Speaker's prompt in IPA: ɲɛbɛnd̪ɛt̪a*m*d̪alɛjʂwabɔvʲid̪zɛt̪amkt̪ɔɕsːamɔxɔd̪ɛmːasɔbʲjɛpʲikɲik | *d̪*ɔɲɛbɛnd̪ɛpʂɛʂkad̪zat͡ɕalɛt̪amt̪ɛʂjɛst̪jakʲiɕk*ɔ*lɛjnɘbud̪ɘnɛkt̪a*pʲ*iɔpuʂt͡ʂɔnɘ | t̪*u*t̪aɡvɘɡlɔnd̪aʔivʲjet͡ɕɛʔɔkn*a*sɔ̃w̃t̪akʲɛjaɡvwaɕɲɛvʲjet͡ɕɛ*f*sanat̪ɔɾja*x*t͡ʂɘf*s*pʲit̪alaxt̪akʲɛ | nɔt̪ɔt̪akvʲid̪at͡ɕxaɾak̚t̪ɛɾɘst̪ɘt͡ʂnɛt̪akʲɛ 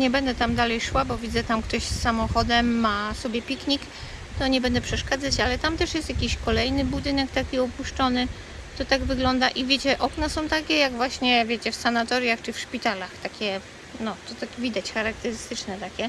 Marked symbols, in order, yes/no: yes, no, yes, no, no, yes, yes, yes, no

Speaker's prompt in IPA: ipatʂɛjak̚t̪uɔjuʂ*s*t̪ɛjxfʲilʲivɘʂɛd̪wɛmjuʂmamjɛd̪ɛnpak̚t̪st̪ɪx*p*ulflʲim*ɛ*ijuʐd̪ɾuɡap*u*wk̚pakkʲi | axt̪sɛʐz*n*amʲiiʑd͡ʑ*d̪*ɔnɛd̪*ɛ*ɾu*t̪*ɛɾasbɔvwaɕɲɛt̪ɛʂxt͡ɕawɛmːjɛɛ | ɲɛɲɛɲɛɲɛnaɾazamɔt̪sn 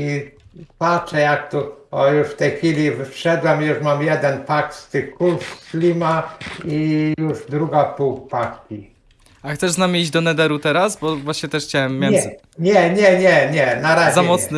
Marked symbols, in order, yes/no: no, no, no, yes, yes, yes, yes, yes

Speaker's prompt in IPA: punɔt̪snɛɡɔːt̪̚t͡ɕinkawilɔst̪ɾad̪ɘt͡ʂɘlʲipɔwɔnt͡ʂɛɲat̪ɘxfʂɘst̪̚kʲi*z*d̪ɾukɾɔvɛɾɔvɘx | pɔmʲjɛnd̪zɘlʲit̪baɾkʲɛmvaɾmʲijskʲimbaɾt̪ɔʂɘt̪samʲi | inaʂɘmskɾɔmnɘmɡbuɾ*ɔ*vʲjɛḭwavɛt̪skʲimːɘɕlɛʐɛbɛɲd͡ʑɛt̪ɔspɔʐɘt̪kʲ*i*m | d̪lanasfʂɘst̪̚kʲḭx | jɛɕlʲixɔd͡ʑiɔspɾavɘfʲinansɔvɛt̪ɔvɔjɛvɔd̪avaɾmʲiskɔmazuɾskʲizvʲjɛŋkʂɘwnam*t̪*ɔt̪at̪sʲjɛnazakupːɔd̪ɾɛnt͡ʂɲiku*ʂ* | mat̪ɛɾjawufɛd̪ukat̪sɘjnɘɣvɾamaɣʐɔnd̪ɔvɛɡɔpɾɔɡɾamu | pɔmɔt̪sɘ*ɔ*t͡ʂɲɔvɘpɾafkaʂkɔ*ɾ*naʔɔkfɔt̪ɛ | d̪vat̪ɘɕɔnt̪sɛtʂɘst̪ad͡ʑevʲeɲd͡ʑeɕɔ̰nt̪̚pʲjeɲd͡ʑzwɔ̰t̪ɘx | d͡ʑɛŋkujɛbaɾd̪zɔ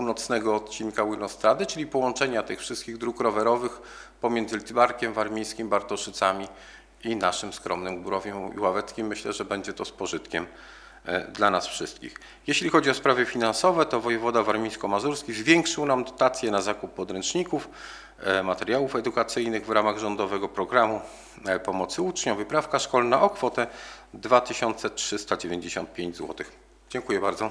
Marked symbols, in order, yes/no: no, yes, no, no, no, no, no

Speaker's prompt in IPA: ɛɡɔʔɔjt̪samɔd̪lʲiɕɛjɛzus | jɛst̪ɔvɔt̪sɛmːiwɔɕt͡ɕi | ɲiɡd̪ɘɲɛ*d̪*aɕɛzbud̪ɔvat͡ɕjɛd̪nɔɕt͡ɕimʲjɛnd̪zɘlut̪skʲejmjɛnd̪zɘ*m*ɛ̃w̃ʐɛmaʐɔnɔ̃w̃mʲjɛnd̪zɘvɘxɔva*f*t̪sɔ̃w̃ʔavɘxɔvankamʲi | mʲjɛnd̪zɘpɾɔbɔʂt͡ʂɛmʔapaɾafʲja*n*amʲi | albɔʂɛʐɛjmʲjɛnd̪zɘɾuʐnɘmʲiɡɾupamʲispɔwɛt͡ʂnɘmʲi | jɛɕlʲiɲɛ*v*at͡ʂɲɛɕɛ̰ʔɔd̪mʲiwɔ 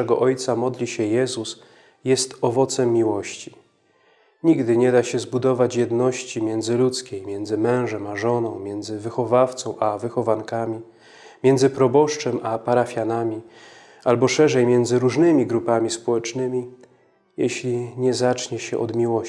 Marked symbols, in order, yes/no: yes, yes, yes, yes, no

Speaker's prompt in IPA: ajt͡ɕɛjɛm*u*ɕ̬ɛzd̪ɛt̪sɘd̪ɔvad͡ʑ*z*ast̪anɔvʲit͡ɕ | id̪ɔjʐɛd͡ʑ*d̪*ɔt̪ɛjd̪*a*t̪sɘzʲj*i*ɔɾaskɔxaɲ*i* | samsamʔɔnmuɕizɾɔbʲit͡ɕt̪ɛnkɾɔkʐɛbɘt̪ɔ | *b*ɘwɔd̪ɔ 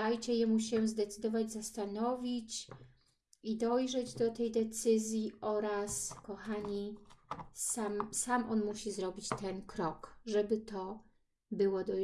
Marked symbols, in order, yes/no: yes, yes, yes, no, yes, yes, yes

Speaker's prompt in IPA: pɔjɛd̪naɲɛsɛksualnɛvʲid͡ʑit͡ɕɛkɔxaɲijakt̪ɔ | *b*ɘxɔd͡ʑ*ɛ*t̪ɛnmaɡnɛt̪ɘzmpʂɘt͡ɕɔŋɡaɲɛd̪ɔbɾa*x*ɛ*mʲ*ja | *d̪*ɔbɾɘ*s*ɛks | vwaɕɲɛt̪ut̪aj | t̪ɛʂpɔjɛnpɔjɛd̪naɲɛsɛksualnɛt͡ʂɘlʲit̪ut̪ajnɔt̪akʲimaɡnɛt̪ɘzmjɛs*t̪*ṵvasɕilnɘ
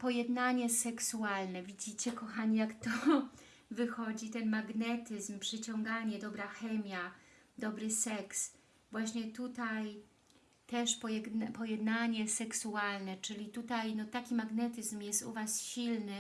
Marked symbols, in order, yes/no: no, no, yes, yes, yes, yes, yes

